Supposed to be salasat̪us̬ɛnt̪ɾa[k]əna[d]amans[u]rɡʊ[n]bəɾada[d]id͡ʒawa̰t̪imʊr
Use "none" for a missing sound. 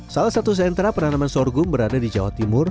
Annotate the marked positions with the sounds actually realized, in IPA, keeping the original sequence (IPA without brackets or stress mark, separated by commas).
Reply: p, n, ɔ, m, d